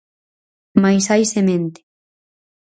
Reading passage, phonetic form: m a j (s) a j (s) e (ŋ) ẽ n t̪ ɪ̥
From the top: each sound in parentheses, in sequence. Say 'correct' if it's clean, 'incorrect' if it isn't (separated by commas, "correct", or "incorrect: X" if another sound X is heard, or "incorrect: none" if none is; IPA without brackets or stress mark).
correct, correct, incorrect: m